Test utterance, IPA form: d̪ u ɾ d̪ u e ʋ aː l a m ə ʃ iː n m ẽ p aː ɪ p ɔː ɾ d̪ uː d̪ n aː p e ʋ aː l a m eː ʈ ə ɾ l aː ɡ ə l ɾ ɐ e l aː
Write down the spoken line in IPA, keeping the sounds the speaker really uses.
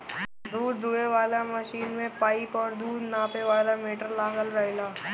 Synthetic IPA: d̪ uː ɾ d̪ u e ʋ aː l a m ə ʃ iː n m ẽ p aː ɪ p ɔː ɾ d̪ uː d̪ n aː p e ʋ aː l a m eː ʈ ə ɾ l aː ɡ ə l ɾ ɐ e l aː